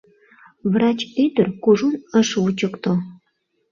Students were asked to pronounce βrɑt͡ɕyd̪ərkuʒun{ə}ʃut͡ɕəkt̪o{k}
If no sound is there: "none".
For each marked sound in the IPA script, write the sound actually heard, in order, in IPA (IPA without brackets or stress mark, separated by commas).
ə, none